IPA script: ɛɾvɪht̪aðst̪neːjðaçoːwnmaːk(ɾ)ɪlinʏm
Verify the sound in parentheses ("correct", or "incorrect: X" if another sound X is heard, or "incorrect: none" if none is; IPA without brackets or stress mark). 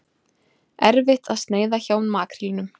correct